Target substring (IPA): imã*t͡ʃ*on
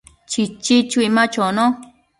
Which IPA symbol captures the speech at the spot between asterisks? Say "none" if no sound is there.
t͡ʃ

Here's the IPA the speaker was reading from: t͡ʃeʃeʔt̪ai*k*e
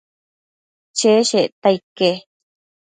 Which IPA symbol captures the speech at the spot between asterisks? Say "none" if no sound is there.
k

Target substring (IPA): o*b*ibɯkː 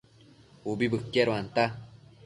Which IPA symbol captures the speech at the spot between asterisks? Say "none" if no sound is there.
b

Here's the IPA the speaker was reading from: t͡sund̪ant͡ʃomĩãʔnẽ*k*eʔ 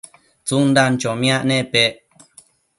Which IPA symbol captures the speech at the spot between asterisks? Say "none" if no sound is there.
p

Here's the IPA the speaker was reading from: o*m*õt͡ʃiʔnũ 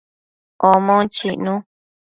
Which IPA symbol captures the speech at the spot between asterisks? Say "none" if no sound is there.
m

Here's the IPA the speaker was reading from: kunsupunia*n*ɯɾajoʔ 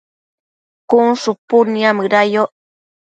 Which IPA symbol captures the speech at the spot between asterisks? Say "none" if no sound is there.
m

